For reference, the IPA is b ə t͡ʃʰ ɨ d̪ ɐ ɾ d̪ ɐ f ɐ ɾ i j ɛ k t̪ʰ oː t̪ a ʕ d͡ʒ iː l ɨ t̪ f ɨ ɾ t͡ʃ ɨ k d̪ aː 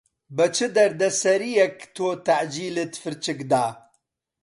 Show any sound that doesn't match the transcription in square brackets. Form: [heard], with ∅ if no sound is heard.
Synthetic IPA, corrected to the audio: b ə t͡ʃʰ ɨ d̪ ɐ ɾ d̪ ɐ [s] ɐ ɾ i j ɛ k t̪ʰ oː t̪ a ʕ d͡ʒ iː l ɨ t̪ f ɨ ɾ t͡ʃ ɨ k d̪ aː